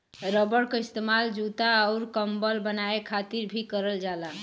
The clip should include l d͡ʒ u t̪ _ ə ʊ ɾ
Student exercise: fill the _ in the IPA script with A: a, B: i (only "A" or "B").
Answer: A